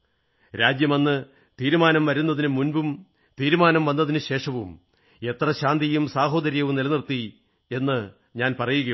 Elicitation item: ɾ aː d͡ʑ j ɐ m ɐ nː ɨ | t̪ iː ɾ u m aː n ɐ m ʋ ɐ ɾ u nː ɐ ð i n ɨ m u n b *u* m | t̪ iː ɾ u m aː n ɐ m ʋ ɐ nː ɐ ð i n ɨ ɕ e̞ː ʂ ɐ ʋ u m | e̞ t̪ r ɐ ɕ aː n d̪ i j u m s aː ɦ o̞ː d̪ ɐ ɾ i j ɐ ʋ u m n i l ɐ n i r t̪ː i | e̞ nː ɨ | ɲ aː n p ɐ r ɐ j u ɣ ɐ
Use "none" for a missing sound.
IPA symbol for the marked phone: u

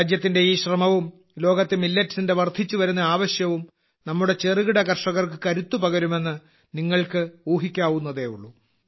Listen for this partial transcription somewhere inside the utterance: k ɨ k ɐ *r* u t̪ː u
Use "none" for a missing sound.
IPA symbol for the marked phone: ɾ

